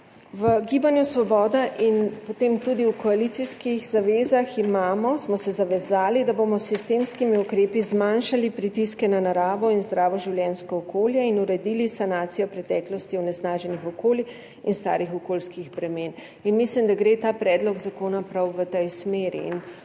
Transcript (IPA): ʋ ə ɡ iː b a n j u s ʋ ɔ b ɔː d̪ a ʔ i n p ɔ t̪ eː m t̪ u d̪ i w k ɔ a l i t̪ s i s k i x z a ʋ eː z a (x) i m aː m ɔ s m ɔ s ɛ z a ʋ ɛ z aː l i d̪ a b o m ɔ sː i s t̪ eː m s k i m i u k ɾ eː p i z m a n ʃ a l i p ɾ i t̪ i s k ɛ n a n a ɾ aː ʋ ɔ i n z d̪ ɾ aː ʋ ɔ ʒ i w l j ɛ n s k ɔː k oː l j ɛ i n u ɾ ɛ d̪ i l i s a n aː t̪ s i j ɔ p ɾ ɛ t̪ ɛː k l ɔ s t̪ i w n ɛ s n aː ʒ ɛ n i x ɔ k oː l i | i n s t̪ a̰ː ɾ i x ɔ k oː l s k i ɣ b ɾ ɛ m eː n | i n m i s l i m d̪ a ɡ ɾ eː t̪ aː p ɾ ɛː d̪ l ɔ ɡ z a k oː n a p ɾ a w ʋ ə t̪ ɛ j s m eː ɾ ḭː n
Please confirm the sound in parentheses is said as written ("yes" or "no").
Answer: yes